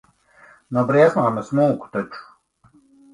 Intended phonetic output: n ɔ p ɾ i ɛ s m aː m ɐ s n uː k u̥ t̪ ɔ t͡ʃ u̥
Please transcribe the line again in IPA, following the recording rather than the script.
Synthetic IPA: n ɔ b ɾ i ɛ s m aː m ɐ s m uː k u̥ t̪ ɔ t͡ʃ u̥

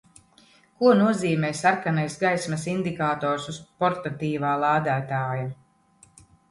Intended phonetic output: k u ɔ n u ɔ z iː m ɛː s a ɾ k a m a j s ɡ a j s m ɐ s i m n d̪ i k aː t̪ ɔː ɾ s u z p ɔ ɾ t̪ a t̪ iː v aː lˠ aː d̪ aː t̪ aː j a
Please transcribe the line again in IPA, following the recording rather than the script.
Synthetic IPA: k u ɔ n u ɔ z iː m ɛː s a ɾ k a n a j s ɡ a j s m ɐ s i n d̪ i k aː t̪ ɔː ɾ s u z p ɔ ɾ t̪ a t̪ iː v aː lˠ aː d̪ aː t̪ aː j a

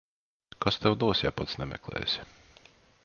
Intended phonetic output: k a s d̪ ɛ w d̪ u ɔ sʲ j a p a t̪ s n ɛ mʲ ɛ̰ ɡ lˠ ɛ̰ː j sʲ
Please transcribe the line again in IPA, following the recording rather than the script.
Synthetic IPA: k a s t̪ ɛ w d̪ u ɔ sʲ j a p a t̪ s n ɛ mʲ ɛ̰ k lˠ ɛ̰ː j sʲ

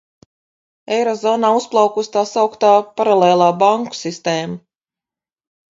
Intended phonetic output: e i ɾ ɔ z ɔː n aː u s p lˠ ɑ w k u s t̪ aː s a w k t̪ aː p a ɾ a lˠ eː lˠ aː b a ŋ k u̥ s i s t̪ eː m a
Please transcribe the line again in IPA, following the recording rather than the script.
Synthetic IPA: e j ɾ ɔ z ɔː n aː u s p lˠ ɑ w k u s t̪ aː s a w k t̪ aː p a ɾ a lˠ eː lˠ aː b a ŋ k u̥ s i s t̪ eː m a

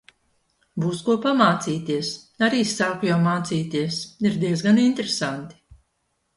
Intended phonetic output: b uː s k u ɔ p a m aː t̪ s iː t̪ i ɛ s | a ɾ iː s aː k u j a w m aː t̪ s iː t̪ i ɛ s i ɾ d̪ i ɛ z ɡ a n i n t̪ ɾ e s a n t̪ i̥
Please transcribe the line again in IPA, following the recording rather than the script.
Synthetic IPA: b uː s k u ɔ p a m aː t̪ s iː t̪ i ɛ s | a ɾ iː s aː k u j a w m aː t̪ s iː t̪ i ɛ s i ɾ d̪ i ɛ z ɡ a n i n t̪ ɾ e s a n t̪ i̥

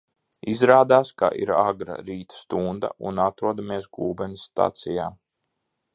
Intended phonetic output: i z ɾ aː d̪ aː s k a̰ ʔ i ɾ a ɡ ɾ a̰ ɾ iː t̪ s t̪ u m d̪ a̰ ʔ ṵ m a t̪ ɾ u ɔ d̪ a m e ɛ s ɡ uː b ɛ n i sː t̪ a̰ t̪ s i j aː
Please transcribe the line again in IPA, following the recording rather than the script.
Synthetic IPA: i z ɾ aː d̪ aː s k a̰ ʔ i ɾ a ɡ ɾ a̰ ɾ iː t̪ s t̪ u n d̪ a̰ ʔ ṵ n a t̪ ɾ u ɔ d̪ a m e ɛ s ɡ uː b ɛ n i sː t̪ a̰ t̪ s i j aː

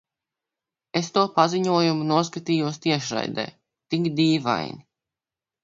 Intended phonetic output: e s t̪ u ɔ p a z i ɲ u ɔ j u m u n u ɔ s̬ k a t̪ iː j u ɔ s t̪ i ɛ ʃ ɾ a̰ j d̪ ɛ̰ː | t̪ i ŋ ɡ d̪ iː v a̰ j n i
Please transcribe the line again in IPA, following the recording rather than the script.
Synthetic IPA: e s t̪ u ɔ p a z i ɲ u ɔ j u m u n u ɔ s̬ k a t̪ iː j u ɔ s t̪ i ɛ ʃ ɾ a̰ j d̪ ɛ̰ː | t̪ i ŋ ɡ d̪ iː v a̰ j n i

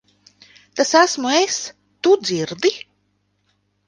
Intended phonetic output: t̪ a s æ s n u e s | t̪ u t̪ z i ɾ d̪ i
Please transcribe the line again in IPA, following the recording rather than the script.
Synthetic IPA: t̪ a s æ s m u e s | t̪ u d̪ z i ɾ d̪ i

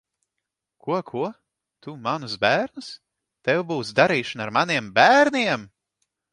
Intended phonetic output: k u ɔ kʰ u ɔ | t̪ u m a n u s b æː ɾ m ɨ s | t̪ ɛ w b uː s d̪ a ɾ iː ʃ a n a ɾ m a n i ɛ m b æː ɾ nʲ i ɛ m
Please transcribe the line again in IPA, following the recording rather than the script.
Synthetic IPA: k u ɔ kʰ u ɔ | t̪ u m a n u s b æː ɾ n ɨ s | t̪ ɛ w b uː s d̪ a ɾ iː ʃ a n a ɾ m a n i ɛ m b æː ɾ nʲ i ɛ m

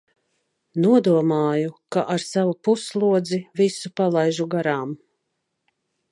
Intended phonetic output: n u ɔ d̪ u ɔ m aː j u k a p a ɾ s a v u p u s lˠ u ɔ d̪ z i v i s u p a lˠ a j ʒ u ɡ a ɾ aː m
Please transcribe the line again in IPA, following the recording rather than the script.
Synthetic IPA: n u ɔ d̪ u ɔ m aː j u k a ʔ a ɾ s a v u p u s lˠ u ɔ d̪ z i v i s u p a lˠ a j ʒ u ɡ a ɾ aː m

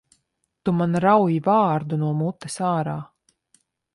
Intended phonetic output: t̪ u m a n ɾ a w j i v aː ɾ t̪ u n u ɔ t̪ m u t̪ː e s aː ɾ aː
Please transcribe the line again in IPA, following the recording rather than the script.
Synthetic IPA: t̪ u m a n ɾ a w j i v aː ɾ d̪ u n u ɔ m u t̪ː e s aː ɾ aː

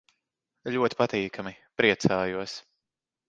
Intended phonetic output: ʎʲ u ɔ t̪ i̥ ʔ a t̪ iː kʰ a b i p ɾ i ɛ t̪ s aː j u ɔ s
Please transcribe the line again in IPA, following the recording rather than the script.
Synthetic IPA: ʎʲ u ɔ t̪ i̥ p a t̪ iː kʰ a m i p ɾ i ɛ t̪ s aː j u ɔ s

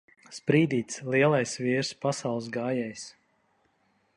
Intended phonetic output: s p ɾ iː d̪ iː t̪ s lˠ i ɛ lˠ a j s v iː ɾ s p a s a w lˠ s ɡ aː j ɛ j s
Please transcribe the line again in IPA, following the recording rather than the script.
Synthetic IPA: s p ɾ iː d̪ iː t̪ s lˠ i ɛ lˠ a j s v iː ɾ s p a s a w lˠ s ɡ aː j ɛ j s

